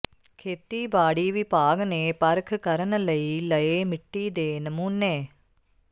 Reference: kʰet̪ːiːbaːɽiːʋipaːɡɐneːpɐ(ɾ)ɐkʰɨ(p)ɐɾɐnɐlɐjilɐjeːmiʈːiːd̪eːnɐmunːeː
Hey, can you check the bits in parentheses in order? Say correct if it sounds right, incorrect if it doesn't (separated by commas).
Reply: correct, incorrect